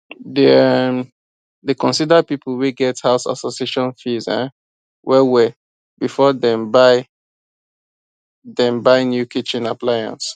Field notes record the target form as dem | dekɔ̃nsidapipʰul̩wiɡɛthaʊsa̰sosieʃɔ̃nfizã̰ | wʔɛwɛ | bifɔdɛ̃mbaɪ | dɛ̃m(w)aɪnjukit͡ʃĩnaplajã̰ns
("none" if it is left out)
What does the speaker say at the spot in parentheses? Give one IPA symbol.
b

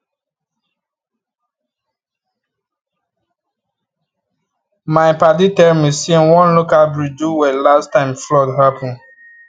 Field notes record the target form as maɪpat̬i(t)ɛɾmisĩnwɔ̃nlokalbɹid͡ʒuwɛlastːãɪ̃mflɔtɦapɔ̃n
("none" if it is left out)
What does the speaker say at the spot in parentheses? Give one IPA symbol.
t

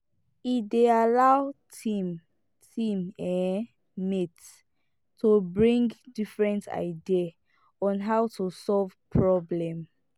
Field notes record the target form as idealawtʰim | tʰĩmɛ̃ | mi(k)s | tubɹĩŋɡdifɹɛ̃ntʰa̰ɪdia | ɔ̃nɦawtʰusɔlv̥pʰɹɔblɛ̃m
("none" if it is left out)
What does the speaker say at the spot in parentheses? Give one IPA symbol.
t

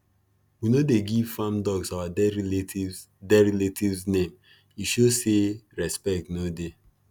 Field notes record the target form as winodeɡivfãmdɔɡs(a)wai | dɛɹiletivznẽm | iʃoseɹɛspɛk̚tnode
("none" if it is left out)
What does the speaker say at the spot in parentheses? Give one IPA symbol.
a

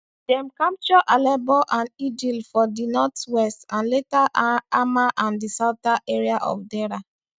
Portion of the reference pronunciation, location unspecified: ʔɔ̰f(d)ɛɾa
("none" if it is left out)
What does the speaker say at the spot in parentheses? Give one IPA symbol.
d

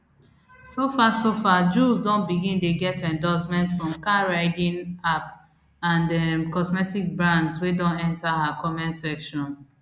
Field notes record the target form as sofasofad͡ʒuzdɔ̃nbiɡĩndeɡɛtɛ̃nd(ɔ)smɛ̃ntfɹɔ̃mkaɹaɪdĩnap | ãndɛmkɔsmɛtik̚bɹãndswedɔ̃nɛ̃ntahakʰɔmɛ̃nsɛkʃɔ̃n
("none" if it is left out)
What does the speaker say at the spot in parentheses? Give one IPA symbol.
ɔ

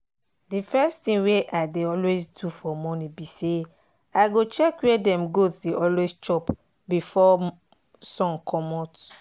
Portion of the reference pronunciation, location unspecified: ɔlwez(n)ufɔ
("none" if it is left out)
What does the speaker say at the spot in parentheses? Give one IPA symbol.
d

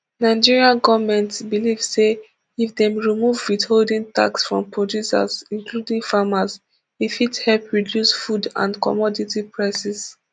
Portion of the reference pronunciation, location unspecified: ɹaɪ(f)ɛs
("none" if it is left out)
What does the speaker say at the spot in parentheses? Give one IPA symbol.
s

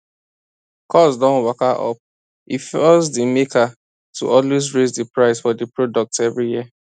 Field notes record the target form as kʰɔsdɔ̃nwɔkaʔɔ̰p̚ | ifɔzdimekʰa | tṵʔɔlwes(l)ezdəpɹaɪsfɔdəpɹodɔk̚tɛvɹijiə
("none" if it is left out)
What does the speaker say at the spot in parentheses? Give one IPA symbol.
ɹ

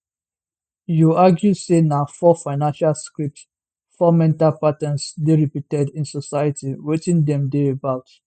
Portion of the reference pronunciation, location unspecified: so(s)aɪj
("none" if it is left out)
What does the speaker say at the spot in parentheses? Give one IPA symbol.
s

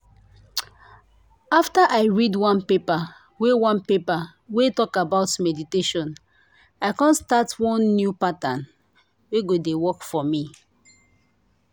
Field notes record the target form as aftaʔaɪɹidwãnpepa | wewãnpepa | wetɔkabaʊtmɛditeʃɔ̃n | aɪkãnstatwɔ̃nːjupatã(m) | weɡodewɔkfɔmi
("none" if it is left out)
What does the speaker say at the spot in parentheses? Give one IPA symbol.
n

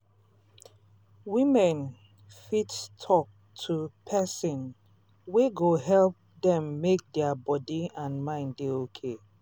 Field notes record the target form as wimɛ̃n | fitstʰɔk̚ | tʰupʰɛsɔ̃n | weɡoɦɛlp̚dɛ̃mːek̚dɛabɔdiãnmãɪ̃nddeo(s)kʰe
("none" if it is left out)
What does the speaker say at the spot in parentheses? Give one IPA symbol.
none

